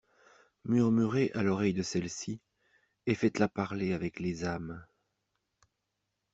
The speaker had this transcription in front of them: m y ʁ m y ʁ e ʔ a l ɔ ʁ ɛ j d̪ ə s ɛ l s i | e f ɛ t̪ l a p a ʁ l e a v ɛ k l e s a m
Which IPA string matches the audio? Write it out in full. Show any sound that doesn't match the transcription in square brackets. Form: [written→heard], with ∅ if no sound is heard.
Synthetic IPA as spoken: m y ʁ m y ʁ e ʔ a l ɔ ʁ ɛ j d̪ ə s ɛ l s i | e f ɛ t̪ l a p a ʁ l e a v ɛ k l e [s→z] a m